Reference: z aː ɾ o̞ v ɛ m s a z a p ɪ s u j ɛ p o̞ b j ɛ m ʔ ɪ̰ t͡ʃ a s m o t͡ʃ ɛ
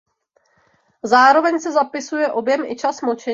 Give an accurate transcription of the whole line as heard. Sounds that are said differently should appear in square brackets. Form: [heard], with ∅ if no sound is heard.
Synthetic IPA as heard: z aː ɾ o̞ v ɛ [ɲ] s [ɛ] z a p ɪ s u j ɛ [ʔ] o̞ b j ɛ m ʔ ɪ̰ t͡ʃ a s m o t͡ʃ ɛ